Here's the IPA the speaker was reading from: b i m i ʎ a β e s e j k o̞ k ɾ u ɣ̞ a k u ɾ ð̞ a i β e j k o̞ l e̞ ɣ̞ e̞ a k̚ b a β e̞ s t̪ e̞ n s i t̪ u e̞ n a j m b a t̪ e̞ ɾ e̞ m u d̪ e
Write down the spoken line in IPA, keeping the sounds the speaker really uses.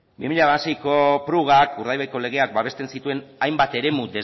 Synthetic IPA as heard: b i m i ʎ a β a s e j k o̞ p ɾ u ɣ̞ a k u ɾ ð̞ a j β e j k o̞ l e̞ ɣ̞ e̞ a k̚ b a β e̞ s t̪ e̞ n s i t̪ u e̞ n a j m b a t̪ e̞ ɾ e̞ m u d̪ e